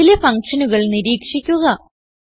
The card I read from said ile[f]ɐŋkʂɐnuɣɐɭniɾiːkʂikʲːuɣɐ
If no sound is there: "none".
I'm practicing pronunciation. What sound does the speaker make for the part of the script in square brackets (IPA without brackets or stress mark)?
f